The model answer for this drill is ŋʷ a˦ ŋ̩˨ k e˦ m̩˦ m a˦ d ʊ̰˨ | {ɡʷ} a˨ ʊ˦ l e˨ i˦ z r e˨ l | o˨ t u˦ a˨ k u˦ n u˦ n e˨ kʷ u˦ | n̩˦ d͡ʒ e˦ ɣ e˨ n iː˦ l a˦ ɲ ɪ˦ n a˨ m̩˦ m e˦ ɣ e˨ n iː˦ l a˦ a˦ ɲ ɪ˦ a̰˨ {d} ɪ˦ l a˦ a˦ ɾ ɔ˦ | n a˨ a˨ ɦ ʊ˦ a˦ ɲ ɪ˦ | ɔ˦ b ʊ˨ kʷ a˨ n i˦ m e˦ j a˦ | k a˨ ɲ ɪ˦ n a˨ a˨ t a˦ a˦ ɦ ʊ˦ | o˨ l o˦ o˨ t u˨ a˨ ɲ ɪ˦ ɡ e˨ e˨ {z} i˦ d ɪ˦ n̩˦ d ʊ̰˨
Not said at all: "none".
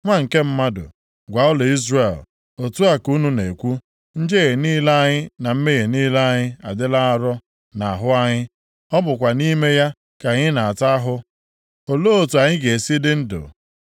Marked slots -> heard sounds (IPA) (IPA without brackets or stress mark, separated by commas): ɡʷ, d, s